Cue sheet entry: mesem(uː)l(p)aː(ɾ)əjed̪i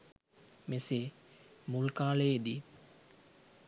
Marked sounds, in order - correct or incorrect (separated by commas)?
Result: incorrect, incorrect, incorrect